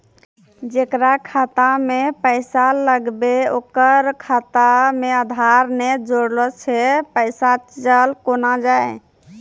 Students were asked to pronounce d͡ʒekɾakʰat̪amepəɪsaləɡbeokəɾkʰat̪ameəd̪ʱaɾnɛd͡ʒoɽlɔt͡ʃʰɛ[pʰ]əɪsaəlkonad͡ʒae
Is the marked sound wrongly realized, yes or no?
yes